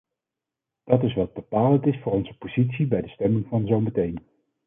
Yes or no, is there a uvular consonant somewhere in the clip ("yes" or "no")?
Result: no